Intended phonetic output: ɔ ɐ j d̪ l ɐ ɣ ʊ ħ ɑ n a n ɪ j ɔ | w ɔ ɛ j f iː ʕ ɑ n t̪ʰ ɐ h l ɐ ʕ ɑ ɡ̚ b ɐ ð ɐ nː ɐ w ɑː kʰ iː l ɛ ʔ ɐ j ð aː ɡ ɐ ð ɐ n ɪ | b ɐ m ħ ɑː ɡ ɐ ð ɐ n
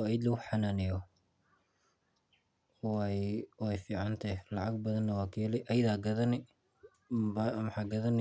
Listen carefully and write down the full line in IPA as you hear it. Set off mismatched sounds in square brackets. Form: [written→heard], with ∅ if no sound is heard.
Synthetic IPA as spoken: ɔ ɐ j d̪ l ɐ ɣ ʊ ħ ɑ n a n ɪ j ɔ | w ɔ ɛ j f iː ʕ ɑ n t̪ʰ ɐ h l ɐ ʕ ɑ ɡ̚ b ɐ ð ɐ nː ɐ w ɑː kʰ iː l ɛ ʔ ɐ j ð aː ɡ ɐ ð ɐ n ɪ | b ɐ m ħ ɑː ɡ ɐ ð ɐ n